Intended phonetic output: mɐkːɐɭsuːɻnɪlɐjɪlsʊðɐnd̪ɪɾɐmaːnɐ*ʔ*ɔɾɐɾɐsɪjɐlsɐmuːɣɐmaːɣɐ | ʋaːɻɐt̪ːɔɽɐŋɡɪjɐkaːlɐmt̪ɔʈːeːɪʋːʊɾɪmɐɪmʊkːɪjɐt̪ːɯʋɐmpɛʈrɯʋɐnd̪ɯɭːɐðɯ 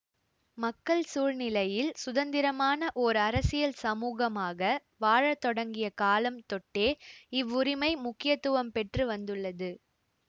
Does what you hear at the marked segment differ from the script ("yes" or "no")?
no